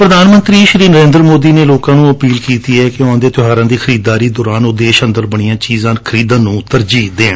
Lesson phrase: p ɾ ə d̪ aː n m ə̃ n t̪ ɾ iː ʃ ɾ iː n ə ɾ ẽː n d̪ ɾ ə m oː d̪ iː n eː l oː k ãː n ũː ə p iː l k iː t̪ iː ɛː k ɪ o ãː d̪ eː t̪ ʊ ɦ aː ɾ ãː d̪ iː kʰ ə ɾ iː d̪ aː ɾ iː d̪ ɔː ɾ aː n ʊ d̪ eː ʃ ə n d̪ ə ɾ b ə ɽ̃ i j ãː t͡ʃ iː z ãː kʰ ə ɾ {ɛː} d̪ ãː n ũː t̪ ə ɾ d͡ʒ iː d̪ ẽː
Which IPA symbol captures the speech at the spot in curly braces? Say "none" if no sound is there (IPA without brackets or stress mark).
iː